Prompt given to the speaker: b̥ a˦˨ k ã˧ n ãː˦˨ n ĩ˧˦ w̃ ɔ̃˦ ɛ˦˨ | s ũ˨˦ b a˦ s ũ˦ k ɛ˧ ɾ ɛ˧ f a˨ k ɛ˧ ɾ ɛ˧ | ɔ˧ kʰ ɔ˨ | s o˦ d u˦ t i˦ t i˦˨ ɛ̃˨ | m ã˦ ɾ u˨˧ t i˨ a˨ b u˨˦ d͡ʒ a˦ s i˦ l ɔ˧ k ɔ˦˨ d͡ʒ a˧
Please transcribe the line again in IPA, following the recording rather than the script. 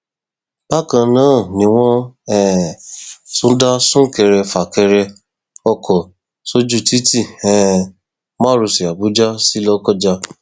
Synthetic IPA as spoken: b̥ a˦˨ k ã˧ n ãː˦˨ n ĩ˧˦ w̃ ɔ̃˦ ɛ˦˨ | s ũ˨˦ d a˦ s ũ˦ k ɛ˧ ɾ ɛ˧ f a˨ k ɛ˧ ɾ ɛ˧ | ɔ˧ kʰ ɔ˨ | s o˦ d͡ʒ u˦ t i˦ t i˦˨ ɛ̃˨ | m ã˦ ɾ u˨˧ s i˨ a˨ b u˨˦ d͡ʒ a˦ s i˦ l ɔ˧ k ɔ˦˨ d͡ʒ a˧

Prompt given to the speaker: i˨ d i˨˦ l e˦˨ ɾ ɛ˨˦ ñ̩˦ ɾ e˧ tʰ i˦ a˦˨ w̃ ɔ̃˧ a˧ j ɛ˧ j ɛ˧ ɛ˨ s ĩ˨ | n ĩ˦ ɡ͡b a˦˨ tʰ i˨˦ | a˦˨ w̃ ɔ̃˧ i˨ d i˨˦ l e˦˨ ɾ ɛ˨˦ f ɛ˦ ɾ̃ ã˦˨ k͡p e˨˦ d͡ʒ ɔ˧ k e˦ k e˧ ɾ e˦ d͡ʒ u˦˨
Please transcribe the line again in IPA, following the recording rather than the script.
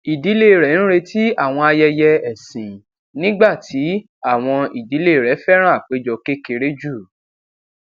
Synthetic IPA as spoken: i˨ d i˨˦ l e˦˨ ɾ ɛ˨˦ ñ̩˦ ɾ e˧ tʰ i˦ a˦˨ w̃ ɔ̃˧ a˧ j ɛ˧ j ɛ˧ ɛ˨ s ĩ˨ | n ĩ˦ ɡ͡b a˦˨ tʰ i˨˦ | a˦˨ w̃ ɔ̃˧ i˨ d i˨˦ l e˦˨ ɾ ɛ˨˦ f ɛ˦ ɾ̃ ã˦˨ k͡p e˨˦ d͡ʒ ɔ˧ k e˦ k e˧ ɾ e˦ d͡ʒ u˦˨

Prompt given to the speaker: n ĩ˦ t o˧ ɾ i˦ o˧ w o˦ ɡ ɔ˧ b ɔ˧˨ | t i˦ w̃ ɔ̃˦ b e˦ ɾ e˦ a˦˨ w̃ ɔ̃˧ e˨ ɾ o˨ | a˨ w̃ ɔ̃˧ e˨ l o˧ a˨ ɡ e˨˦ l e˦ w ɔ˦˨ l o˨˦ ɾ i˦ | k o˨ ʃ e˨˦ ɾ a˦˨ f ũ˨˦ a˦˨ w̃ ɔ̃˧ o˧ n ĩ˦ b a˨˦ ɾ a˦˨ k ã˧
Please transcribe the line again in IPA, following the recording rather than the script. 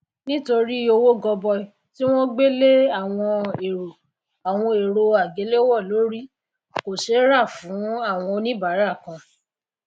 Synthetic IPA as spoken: n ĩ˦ t o˧ ɾ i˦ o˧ w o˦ ɡ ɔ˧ b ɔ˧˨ | t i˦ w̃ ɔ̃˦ ɡ͡b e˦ l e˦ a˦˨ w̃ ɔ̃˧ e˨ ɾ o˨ | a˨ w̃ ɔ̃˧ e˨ ɾ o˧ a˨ ɡ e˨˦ l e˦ w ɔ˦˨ l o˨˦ ɾ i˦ | k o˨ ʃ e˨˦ ɾ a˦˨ f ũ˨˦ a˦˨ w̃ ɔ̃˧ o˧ n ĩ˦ b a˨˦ ɾ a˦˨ k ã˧

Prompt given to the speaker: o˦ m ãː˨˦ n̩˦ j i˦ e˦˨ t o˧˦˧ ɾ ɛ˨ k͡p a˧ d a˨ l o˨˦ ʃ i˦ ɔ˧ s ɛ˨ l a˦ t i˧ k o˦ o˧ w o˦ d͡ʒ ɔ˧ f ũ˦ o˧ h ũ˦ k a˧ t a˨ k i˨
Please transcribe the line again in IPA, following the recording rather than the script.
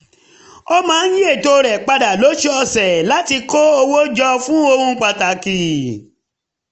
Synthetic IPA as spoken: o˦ m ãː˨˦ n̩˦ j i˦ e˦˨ t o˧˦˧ ɾ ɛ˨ k͡p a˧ d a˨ l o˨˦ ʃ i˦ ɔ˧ s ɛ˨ l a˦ t i˧ k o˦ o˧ w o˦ d͡ʒ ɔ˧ f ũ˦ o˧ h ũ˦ k͡p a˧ t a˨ k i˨

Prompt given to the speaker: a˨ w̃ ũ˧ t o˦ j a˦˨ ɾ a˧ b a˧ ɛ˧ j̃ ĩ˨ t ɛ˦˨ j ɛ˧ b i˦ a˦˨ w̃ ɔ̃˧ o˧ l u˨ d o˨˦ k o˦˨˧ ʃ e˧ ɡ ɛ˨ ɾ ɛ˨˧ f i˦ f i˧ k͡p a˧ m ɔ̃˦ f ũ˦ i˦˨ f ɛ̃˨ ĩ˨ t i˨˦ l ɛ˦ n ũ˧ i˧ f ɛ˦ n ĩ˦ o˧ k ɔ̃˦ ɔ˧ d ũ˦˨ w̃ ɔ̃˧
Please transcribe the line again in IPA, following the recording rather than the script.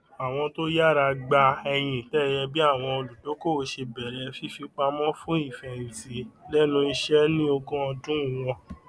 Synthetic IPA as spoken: a˨ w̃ ɔ̃˧ t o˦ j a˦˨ ɾ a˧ ɡ͡b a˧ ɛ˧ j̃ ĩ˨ t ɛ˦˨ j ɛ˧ b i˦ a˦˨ w̃ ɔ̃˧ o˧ l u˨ d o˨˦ k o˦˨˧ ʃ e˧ b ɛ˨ ɾ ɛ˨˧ f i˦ f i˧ k͡p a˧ m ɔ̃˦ f ũ˦ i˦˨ f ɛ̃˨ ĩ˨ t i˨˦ l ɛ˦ n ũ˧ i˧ ʃ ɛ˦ n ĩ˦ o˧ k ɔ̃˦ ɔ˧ d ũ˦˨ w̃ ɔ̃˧

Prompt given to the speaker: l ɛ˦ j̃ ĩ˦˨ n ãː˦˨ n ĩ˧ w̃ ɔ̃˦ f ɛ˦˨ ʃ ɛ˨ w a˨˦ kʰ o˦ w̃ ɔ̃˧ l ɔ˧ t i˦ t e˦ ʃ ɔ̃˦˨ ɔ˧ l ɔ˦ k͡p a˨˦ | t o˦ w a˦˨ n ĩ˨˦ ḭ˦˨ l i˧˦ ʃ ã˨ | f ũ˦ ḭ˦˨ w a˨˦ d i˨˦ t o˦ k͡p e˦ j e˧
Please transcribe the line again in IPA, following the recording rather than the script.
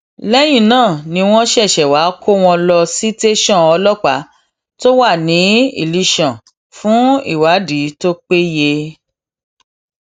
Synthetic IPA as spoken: l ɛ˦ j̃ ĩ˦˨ n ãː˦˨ n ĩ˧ w̃ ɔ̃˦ ʃ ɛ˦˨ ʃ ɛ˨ w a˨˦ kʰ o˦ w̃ ɔ̃˧ l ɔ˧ s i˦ t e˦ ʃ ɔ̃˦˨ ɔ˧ l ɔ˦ k͡p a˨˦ | t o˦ w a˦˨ n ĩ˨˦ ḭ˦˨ l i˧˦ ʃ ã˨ | f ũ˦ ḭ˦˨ w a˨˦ d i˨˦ t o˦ k͡p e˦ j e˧

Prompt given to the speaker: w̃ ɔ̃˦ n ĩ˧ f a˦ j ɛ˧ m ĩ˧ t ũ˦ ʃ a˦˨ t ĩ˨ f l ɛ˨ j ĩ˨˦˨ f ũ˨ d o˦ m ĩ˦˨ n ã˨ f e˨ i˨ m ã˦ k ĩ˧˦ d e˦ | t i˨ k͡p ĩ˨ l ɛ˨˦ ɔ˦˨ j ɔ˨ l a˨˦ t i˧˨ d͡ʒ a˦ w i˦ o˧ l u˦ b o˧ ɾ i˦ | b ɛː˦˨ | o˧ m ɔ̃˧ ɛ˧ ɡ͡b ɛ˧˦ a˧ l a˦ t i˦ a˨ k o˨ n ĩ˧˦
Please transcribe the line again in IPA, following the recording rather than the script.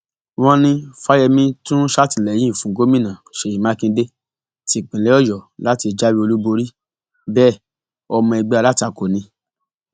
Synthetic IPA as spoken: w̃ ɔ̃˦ n ĩ˧ f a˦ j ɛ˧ m ĩ˧ t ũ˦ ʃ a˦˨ t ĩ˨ l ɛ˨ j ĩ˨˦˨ f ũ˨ ɡ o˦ m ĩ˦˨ n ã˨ ʃ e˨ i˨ m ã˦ k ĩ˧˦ d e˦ | t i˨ k͡p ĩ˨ l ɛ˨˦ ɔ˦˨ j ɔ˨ l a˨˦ t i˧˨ d͡ʒ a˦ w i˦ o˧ l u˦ b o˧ ɾ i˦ | b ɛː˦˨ | ɔ˧ m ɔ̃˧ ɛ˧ ɡ͡b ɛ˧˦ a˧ l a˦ t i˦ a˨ k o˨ n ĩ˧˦

